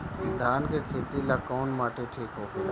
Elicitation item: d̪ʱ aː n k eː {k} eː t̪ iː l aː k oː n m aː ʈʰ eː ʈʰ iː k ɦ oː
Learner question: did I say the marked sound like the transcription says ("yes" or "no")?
no